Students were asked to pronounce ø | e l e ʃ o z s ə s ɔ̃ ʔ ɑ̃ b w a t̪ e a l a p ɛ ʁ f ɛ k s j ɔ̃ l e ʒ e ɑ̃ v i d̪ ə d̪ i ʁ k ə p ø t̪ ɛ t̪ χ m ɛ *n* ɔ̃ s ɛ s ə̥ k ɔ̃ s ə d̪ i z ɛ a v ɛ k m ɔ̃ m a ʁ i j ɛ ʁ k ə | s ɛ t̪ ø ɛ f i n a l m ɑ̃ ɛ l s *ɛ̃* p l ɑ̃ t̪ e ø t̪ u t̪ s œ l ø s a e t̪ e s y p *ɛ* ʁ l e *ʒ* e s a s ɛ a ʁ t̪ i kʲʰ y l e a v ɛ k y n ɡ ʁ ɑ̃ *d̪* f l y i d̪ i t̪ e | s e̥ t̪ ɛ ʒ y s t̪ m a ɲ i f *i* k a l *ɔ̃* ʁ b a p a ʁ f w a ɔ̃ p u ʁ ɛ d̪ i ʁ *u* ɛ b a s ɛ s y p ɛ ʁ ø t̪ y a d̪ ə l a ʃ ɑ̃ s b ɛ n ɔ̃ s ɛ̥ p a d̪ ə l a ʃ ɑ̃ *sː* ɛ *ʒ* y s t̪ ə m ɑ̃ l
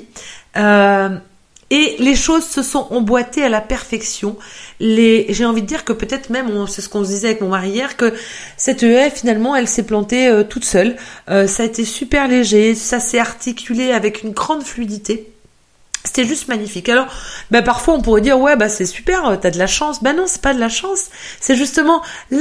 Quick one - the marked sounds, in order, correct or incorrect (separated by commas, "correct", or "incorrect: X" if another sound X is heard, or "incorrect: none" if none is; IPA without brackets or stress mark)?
incorrect: m, incorrect: ɛ, correct, correct, correct, correct, incorrect: ɔ, incorrect: w, correct, correct